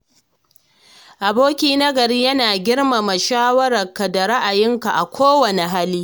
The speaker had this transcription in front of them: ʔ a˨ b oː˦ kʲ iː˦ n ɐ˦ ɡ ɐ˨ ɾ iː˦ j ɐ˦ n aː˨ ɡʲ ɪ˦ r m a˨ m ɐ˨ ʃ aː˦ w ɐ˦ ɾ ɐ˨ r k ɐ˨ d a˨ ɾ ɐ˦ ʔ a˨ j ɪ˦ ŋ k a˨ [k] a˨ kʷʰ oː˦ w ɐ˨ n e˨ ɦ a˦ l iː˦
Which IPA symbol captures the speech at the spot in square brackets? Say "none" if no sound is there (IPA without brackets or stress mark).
ʔ